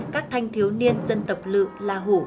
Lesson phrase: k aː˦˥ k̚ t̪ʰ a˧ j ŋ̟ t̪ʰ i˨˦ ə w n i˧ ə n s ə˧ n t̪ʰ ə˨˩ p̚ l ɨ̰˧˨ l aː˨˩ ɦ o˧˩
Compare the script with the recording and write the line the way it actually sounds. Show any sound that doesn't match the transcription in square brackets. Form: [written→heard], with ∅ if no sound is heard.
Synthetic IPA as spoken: k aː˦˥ k̚ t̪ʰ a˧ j ŋ̟ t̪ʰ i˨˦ ə w n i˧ ə n [s→z] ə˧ n [t̪ʰ→t̪] ə˨˩ p̚ l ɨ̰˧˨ l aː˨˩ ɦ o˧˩

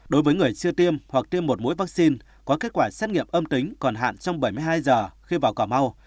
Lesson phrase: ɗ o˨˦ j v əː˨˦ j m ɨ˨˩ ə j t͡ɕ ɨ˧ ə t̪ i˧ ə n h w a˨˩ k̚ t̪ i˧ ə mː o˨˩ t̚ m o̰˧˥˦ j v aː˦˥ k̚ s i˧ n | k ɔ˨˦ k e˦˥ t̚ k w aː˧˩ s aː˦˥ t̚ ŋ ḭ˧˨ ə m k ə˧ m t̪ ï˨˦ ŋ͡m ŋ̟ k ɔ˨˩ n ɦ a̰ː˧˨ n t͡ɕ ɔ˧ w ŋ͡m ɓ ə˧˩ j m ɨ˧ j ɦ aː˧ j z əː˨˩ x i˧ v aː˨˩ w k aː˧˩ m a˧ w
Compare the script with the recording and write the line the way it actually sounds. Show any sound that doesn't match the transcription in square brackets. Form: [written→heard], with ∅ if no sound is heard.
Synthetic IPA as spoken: ɗ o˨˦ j v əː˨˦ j [m→ŋ] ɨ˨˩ ə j t͡ɕ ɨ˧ ə t̪ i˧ ə [n→m] h w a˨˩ k̚ t̪ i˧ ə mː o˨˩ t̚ m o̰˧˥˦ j v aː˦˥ k̚ s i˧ n | k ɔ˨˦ k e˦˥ t̚ k w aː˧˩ s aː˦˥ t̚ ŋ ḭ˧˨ ə m [k→ʔ] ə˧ m t̪ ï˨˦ [ŋ͡m→∅] ŋ̟ k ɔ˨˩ n ɦ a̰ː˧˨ n t͡ɕ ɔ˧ w ŋ͡m ɓ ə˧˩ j m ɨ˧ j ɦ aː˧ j z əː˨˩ x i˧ v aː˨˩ w k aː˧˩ m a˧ w

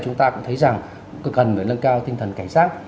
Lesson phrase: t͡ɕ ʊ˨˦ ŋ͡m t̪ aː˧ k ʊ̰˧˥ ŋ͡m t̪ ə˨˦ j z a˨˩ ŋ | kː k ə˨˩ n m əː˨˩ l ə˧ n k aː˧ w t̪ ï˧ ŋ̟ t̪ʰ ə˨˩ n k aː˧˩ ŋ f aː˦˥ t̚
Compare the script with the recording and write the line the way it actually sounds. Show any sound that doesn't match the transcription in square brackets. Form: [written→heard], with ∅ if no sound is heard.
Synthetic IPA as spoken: t͡ɕ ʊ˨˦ ŋ͡m t̪ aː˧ k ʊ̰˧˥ ŋ͡m [t̪→t̪ʰ] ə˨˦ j z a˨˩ ŋ | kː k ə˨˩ n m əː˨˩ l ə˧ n k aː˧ w t̪ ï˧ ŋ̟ t̪ʰ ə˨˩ n k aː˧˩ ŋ [f→s] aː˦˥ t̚

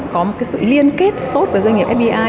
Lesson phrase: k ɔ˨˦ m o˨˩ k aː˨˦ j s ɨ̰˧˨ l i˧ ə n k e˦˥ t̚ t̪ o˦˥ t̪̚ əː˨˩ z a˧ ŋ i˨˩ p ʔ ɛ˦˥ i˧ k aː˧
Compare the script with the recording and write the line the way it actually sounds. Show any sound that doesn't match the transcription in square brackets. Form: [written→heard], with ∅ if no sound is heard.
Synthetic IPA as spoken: k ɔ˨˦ m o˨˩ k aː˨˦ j s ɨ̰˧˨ l i˧ ə n k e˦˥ t̚ t̪ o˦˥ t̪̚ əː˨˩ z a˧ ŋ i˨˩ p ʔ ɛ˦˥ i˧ [k→ʔ] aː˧

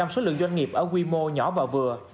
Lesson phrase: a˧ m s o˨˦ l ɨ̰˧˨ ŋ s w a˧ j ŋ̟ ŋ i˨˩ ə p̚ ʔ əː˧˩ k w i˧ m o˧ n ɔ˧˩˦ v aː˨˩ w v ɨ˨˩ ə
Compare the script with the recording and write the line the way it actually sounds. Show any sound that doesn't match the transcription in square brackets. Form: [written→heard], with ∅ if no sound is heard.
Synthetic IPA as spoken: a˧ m s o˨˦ l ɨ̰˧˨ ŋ [s→z] w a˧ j ŋ̟ ŋ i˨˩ ə p̚ ʔ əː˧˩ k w i˧ m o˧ [n→ɲ] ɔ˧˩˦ v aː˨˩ w v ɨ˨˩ ə

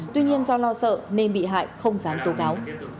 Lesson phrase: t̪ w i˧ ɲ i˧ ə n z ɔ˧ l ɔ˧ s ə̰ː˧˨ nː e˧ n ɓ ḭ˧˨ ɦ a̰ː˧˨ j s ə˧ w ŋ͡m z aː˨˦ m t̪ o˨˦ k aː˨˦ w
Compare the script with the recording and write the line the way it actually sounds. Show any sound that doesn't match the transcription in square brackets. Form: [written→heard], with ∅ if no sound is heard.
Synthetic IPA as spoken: t̪ w i˧ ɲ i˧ ə n z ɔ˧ l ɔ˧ s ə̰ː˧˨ [nː→n] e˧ n ɓ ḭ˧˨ ɦ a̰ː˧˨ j [s→x] ə˧ w ŋ͡m z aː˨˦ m t̪ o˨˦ k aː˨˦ w

